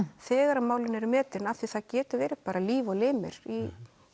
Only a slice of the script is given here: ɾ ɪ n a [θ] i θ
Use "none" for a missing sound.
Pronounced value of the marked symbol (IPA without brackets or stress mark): θ